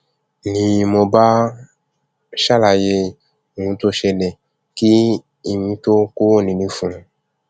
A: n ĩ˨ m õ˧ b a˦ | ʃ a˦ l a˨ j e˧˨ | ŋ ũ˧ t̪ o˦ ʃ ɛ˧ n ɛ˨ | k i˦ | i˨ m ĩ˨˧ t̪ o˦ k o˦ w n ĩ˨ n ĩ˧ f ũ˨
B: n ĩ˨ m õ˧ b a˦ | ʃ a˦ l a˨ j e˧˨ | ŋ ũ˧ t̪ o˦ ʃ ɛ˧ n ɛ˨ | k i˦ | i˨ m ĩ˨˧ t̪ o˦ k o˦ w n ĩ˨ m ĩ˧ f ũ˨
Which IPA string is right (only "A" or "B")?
A